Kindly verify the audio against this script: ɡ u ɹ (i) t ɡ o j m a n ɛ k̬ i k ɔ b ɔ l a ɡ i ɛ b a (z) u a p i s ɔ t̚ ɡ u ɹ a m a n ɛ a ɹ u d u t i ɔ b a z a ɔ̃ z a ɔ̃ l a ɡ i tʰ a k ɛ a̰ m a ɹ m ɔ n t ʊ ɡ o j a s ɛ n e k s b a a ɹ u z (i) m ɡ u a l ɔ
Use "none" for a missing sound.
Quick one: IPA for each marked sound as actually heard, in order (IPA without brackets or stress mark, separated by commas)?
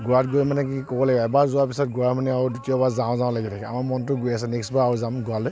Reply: a, z, a